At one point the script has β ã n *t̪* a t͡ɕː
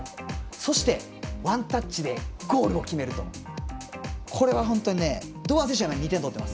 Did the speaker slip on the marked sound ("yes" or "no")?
no